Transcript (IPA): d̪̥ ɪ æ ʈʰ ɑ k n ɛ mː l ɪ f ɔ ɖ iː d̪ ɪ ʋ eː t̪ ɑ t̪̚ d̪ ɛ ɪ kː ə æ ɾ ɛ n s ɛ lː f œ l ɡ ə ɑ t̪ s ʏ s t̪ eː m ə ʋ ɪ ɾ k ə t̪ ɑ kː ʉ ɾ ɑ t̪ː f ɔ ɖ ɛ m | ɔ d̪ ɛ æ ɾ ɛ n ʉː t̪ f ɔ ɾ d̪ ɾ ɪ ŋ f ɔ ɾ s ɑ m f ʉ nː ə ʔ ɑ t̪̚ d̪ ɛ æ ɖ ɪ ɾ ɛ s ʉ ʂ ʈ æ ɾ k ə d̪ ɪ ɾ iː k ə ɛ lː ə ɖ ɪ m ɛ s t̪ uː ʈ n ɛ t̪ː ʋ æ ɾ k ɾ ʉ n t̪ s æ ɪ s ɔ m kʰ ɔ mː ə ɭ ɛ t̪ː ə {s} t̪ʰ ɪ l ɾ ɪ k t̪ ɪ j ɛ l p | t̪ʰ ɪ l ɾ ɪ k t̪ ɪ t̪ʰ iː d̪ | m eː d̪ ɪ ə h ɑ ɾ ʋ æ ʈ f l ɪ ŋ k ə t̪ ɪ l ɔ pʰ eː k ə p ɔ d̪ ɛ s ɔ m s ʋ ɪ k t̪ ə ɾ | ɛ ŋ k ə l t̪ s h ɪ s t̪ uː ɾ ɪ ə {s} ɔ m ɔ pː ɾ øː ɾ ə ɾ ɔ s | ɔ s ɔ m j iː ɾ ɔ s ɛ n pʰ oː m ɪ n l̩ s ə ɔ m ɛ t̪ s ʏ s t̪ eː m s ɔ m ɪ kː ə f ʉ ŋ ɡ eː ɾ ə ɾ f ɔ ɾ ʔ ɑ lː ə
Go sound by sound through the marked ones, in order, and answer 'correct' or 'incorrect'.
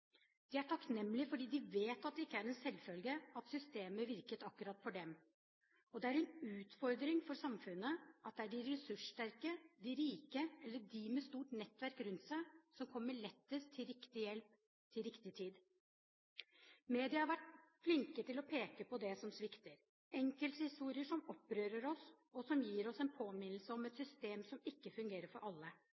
correct, incorrect

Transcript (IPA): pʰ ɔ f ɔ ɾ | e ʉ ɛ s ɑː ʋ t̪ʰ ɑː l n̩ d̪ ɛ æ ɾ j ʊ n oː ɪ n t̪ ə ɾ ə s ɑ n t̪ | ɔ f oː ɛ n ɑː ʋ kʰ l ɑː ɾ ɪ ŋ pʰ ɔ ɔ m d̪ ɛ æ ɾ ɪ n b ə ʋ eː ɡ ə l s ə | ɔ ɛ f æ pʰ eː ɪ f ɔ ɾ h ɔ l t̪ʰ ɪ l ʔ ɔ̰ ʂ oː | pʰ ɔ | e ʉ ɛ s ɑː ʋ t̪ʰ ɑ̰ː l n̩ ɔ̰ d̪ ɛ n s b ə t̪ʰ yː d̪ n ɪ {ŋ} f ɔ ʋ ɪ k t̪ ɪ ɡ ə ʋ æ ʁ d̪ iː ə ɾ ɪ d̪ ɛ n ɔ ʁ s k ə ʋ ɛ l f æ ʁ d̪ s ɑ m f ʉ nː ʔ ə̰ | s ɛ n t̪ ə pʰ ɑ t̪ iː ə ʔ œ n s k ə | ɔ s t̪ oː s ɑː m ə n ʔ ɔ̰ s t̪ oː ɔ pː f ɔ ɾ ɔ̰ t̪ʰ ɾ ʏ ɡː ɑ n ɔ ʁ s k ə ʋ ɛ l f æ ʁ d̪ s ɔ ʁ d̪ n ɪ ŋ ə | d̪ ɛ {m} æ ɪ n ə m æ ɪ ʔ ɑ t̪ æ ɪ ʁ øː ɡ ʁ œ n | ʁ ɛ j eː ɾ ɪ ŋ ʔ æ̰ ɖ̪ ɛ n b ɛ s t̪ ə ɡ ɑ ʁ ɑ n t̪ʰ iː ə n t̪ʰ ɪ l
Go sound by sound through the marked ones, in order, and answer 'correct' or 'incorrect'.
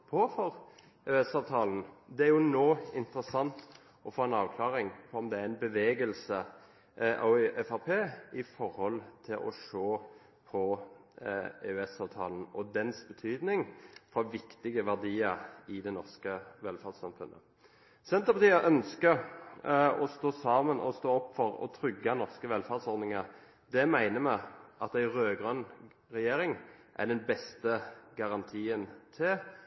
correct, correct

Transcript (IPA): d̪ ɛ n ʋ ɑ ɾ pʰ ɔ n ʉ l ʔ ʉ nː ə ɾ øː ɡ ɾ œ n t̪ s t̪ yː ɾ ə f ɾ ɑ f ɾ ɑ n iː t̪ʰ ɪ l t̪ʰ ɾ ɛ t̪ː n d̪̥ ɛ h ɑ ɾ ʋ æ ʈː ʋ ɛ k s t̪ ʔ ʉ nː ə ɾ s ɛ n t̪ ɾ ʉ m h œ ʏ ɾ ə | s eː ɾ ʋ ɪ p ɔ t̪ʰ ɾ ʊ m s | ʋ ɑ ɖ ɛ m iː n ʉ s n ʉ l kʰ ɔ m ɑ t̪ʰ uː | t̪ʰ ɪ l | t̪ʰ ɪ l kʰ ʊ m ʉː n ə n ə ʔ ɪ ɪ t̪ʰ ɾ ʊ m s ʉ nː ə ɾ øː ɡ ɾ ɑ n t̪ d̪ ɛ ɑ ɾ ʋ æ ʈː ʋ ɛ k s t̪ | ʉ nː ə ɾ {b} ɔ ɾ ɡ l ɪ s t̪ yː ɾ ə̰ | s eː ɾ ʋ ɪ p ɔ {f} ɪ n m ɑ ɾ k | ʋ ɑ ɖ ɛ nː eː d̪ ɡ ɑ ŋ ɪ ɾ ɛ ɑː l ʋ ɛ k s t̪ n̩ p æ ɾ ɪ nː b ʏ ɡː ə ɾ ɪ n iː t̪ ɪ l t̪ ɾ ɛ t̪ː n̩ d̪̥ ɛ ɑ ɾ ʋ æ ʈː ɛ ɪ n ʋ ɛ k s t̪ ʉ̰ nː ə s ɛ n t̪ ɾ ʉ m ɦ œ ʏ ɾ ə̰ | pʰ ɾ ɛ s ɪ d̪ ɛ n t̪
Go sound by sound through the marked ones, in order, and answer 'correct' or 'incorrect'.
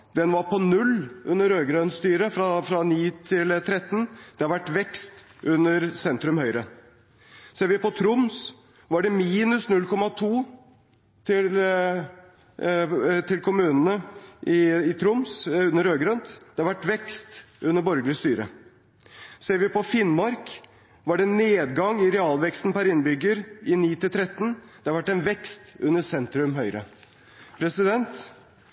correct, correct

